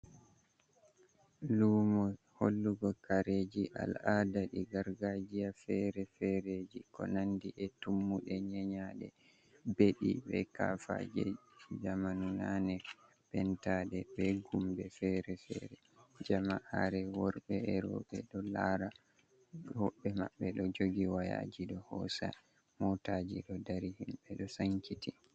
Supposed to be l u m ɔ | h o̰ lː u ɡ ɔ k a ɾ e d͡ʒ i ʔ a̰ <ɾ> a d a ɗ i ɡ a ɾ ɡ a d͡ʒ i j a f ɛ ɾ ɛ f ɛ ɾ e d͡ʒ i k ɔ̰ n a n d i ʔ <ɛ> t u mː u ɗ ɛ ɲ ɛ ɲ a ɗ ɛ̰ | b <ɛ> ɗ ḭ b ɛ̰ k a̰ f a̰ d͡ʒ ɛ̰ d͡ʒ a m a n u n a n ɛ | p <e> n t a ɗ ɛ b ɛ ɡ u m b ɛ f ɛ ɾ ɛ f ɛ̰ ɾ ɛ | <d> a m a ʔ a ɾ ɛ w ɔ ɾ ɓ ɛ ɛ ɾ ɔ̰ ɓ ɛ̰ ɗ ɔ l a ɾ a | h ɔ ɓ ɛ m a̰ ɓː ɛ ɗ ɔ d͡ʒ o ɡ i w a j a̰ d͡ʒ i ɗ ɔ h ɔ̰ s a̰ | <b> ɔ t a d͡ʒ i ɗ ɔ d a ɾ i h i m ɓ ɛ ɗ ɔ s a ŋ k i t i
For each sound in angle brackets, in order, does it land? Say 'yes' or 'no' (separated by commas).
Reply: no, yes, no, no, no, no